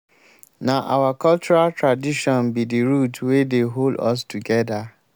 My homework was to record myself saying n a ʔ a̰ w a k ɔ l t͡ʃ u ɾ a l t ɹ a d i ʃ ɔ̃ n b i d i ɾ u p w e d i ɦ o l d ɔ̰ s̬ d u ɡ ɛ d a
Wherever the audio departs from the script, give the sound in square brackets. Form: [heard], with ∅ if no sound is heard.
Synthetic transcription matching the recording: n a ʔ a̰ w a k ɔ l t͡ʃ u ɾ a l t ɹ a d i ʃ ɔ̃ n b i d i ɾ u [t] w e d [e] ɦ o l d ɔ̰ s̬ [t] u ɡ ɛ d a